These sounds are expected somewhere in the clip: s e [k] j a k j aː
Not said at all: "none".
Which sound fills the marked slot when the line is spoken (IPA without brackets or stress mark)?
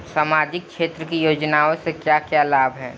k